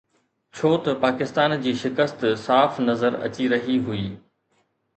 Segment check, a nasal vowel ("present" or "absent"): absent